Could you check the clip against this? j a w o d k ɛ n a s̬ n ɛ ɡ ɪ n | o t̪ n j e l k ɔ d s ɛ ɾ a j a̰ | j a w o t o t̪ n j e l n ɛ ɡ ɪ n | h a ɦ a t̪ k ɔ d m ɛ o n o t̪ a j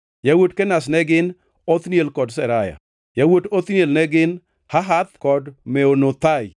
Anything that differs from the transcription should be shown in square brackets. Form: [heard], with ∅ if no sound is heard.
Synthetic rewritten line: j a w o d k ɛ n a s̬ n ɛ ɡ ɪ n | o t̪ n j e l k ɔ d s ɛ ɾ a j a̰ | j a w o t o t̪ n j e l n ɛ ɡ ɪ n | h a ɦ a t̪ k ɔ d m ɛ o n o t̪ a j